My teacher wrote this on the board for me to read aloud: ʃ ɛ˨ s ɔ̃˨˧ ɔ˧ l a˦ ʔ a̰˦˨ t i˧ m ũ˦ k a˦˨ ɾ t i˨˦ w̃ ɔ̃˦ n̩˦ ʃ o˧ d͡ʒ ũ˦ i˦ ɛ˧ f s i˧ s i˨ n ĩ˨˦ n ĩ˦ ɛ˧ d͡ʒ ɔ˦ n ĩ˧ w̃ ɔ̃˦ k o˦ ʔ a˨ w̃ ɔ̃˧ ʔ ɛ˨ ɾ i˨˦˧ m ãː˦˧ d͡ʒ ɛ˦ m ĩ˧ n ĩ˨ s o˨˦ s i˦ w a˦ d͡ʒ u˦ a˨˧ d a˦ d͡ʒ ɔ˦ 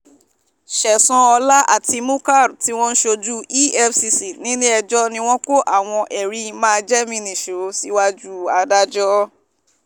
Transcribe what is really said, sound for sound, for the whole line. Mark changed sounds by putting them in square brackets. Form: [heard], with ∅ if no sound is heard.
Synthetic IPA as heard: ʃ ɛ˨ s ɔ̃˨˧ ɔ˧ l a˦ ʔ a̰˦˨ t i˧ m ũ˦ k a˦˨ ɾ t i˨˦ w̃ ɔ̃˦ n̩˦ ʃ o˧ d͡ʒ [u˦] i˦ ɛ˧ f s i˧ s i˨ n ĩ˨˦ n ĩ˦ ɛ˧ d͡ʒ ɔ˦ n ĩ˧ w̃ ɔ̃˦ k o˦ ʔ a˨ w̃ ɔ̃˧ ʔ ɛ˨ ɾ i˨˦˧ m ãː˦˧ d͡ʒ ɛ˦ m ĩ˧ n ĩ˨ [ʃ] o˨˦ s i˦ w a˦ d͡ʒ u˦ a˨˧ d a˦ d͡ʒ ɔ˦